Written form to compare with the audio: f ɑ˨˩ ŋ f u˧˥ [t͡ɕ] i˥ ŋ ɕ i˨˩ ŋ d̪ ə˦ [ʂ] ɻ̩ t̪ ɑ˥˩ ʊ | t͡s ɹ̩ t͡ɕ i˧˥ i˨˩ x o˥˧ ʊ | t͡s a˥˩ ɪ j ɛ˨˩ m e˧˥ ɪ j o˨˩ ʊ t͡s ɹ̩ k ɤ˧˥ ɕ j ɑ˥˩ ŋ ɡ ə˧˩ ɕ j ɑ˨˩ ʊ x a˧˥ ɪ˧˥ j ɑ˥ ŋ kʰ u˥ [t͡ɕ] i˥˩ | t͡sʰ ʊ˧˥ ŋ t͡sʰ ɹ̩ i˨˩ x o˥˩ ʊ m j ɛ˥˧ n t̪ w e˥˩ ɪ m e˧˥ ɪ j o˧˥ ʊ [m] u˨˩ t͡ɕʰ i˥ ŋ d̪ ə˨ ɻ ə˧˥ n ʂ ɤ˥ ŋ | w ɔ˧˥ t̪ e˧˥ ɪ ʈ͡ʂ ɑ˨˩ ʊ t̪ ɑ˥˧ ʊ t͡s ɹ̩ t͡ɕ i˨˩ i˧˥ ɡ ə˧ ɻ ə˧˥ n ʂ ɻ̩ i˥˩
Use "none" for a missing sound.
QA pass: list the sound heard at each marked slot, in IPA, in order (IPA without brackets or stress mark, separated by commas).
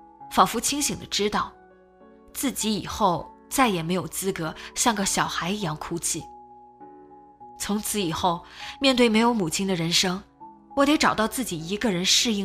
t͡ɕʰ, ʈ͡ʂ, t͡ɕʰ, m